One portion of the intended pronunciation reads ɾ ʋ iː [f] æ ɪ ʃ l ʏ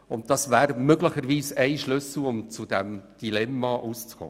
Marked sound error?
yes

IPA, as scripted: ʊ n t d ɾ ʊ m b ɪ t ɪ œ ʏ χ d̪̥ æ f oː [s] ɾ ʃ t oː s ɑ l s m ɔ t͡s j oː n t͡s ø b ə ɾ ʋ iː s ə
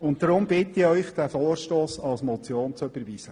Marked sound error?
yes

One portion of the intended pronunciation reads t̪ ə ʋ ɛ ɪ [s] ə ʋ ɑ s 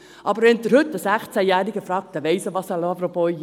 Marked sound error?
no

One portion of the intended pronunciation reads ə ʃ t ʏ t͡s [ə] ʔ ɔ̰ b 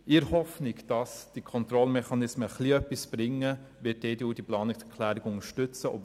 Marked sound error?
no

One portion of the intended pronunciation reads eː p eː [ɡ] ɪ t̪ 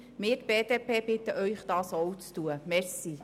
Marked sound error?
yes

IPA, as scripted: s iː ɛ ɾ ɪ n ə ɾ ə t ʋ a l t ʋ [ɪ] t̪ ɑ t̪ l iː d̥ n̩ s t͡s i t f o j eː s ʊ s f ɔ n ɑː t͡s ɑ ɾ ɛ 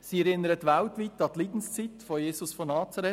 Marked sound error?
yes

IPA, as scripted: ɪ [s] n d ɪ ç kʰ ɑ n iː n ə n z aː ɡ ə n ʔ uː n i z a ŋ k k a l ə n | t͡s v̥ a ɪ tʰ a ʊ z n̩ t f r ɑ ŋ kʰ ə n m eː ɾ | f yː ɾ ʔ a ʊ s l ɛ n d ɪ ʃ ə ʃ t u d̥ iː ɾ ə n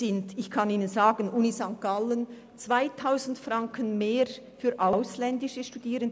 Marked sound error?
yes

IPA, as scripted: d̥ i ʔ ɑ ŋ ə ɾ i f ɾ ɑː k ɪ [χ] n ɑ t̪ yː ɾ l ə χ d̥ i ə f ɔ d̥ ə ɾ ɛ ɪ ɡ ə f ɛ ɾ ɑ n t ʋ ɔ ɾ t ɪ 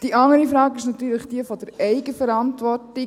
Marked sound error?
yes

